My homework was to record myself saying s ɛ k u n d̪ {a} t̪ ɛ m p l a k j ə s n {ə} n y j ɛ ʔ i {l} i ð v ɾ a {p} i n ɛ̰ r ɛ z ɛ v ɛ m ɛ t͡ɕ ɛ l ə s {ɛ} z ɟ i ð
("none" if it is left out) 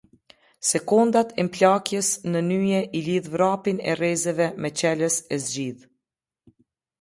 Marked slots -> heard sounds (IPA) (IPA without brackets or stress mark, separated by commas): a, ə, l, p, ɛ